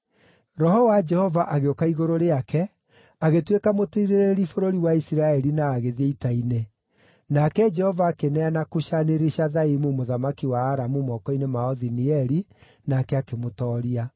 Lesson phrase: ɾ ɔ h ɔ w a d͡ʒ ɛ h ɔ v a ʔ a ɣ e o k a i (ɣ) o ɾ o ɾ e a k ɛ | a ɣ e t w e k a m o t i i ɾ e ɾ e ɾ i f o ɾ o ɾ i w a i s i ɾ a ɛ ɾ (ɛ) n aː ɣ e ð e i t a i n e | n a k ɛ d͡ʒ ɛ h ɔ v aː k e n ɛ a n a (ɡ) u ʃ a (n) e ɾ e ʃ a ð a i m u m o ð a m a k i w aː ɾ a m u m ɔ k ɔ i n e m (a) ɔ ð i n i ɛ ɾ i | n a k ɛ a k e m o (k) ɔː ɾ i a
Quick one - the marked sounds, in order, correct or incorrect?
correct, incorrect: i, incorrect: k, correct, correct, incorrect: t

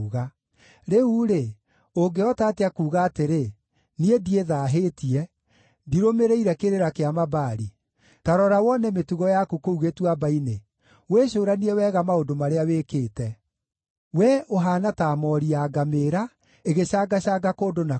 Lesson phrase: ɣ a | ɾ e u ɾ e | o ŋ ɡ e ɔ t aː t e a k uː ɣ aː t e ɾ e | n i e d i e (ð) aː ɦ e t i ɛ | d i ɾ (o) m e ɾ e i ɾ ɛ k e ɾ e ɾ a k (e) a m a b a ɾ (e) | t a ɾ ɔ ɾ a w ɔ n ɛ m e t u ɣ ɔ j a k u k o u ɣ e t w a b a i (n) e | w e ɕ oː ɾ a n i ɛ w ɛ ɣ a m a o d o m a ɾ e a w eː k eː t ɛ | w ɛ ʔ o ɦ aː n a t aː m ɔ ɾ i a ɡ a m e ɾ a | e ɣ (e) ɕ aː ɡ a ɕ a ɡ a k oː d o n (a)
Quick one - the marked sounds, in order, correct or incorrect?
correct, correct, correct, incorrect: i, correct, correct, correct

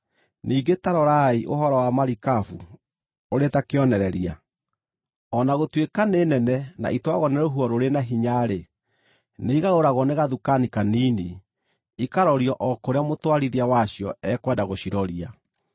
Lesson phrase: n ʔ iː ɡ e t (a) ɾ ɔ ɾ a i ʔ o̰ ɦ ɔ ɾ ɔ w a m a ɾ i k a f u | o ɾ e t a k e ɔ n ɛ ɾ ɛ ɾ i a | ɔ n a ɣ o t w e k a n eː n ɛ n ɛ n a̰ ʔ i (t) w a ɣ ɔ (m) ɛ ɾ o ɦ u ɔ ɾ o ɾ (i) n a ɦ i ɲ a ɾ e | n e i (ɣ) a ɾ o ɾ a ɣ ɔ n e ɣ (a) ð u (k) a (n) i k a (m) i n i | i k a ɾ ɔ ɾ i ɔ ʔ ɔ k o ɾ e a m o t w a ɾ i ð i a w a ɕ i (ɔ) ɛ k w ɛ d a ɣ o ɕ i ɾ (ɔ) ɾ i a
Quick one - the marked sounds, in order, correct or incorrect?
correct, correct, incorrect: n, incorrect: e, correct, correct, correct, correct, incorrect: n, correct, correct

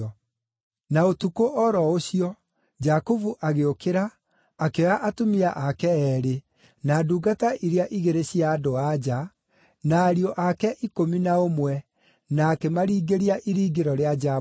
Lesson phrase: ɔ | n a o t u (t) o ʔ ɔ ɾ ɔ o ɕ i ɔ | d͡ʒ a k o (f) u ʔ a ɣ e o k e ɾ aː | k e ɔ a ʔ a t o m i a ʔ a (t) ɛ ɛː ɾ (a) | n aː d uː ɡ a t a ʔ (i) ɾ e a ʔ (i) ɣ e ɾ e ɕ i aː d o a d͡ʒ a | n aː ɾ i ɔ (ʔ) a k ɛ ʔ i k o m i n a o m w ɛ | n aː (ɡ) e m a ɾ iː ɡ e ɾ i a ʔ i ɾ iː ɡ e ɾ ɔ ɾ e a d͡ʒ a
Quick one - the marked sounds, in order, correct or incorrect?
incorrect: k, incorrect: v, incorrect: k, incorrect: e, correct, correct, correct, incorrect: k

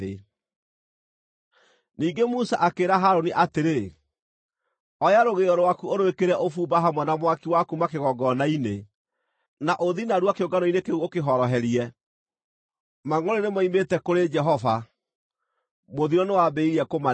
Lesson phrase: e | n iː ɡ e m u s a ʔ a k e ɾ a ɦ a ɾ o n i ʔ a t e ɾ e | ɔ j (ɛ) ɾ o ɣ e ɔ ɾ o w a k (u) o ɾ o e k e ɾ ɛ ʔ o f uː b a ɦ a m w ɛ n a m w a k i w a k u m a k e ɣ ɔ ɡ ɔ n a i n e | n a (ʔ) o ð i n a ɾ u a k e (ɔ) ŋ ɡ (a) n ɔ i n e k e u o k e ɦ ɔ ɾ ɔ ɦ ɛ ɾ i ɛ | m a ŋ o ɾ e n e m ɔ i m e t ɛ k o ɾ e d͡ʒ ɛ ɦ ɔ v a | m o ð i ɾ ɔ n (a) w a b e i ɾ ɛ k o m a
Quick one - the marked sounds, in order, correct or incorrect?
incorrect: a, correct, correct, incorrect: o, correct, incorrect: e

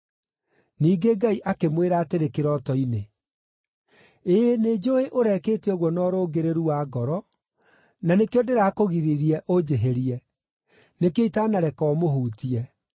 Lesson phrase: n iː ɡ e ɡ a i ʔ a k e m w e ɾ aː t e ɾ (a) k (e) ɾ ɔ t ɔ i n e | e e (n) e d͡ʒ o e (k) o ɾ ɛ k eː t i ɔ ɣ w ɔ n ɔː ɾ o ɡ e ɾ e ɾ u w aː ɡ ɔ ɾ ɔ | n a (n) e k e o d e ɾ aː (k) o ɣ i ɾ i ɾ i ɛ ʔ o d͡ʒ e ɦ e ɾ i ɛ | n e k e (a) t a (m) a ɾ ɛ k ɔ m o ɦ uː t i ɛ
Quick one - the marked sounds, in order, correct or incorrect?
incorrect: e, correct, correct, incorrect: ʔ, correct, correct, incorrect: i, incorrect: n

